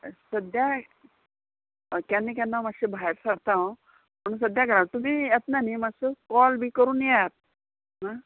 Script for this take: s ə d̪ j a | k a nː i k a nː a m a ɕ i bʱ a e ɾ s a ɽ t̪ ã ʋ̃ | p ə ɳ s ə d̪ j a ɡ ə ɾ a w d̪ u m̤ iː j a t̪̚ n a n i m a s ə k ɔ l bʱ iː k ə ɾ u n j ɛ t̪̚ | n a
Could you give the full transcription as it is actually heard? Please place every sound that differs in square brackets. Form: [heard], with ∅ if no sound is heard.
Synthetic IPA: s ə d̪ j a | k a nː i k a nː a m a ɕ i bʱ a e ɾ s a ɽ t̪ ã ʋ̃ | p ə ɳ s ə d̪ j a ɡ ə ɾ a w [t̪] u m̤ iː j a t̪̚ n a n i m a s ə k ɔ l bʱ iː k ə ɾ [uː] n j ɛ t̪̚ | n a

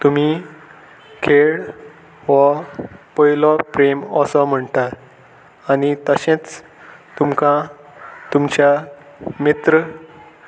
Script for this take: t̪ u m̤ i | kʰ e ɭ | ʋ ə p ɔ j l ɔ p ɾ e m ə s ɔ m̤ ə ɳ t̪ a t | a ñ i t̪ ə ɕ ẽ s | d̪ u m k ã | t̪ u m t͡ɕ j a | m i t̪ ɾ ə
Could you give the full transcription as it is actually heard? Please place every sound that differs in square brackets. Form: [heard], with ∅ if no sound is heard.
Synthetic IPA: t̪ u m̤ i | kʰ e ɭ | ʋ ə p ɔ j l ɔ p ɾ e m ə s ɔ m̤ ə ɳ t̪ a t | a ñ i t̪ ə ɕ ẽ [t͡s] | [t̪] u m k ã | t̪ u m t͡ɕ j a | m i t̪ ɾ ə

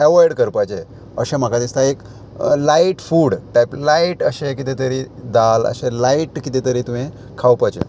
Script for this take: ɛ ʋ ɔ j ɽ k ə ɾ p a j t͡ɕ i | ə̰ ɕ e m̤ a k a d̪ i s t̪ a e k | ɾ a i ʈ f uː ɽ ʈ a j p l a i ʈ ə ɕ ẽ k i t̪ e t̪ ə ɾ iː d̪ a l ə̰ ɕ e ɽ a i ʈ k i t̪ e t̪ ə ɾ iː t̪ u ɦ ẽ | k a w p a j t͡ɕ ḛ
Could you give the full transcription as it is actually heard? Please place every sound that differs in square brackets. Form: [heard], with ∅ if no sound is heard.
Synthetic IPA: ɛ ʋ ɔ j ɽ k ə ɾ p a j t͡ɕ [e] | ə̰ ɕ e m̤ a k a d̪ i s t̪ a e k | [l] a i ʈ f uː ɽ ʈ a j p l a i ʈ ə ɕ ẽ k i t̪ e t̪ ə ɾ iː d̪ a l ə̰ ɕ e [l] a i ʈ k i t̪ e t̪ ə ɾ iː t̪ u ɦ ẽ | [kʰ] a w p a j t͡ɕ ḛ

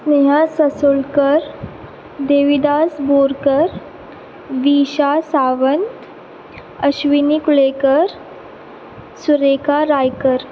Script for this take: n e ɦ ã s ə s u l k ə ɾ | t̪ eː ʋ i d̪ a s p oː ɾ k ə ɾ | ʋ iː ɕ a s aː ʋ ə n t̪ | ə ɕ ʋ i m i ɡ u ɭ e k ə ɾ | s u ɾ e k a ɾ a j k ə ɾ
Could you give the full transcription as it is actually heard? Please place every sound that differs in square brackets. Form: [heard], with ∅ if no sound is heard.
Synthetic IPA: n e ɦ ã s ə s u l k ə ɾ | [d̪] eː ʋ i d̪ a s [b] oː ɾ k ə ɾ | ʋ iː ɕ a s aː ʋ ə n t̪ | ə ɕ ʋ i [n] i [k] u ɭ e k ə ɾ | s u ɾ e k a ɾ a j k ə ɾ

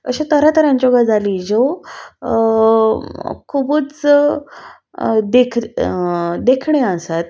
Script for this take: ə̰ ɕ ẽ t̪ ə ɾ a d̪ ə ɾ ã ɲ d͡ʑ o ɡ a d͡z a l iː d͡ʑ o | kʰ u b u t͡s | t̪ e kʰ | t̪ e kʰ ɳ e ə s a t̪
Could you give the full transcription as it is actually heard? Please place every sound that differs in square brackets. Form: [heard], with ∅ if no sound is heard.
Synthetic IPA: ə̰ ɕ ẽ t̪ ə ɾ a [t̪] ə ɾ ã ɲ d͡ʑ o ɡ a d͡z a l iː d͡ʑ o | kʰ u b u t͡s | [d̪] e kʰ | [d̪] e kʰ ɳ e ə s a t̪

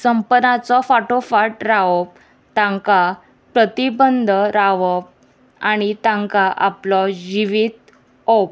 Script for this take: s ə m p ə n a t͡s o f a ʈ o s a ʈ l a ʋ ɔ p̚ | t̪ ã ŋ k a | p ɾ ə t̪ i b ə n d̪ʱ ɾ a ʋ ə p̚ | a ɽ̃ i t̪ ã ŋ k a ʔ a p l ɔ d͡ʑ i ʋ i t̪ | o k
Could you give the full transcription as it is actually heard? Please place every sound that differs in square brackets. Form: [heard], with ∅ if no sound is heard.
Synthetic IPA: s ə m p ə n a t͡s [ɔ] f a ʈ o [f] a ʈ [ɾ] a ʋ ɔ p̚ | t̪ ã ŋ k a | p ɾ ə t̪ i b ə n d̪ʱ ɾ a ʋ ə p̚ | a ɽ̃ i t̪ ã ŋ k a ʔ a p l ɔ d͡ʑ i ʋ i t̪ | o [p]

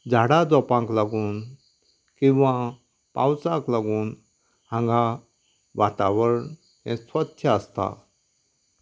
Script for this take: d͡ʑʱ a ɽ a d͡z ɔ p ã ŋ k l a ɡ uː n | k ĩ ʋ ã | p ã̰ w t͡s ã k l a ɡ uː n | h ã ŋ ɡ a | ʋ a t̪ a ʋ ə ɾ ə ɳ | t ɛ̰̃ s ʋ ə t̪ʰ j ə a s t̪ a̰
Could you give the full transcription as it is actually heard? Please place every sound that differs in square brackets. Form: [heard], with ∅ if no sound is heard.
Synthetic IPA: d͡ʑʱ a ɽ a d͡z ɔ p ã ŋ k l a ɡ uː n | k ĩ ʋ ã | p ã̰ w t͡s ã k l a ɡ uː n | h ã ŋ ɡ a | ʋ a t̪ a ʋ ə ɾ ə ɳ | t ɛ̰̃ s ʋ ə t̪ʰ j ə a s t̪ a̰

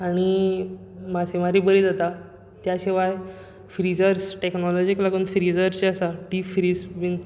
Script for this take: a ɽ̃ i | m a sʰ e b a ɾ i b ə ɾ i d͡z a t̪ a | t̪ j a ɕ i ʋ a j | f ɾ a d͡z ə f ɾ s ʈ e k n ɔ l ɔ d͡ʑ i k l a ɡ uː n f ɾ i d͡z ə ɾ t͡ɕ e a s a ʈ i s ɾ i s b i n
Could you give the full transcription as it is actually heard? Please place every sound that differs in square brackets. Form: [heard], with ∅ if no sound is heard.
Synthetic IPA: a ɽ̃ i | m a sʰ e [m] a ɾ i b ə ɾ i d͡z a t̪ a | t̪ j a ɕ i ʋ a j | f ɾ [i] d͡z ə [∅] ɾ s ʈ e k n ɔ l ɔ d͡ʑ i k l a ɡ uː n f ɾ i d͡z ə ɾ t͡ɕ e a s a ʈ i [f] ɾ i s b i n

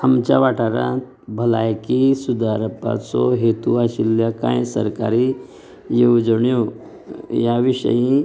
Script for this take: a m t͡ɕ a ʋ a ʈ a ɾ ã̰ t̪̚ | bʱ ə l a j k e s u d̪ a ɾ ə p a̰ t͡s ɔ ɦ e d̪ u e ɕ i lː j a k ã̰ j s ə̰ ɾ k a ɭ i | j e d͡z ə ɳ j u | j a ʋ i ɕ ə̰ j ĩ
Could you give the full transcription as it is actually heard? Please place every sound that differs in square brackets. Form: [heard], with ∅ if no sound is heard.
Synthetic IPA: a m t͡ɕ a ʋ a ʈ a ɾ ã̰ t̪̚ | bʱ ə l a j k [i] s u d̪ a ɾ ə p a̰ t͡s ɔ ɦ e [t̪] u [a] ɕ i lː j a k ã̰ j s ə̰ ɾ k a [ɾ] i | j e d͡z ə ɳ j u | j a ʋ i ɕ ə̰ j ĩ

